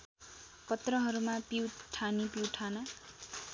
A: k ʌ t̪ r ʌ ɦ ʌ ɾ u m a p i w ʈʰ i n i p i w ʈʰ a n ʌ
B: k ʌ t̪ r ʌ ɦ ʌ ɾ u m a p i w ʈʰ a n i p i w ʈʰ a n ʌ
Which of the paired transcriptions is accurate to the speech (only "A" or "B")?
B